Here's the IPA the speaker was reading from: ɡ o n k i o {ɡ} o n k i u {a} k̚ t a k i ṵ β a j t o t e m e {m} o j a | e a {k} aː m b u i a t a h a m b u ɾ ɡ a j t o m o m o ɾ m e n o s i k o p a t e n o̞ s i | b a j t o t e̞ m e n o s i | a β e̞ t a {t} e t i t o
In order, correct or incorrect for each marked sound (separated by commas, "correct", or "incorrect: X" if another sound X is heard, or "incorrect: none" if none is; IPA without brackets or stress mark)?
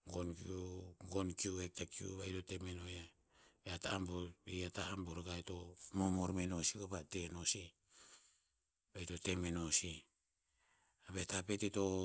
correct, incorrect: e, incorrect: n, incorrect: t, incorrect: p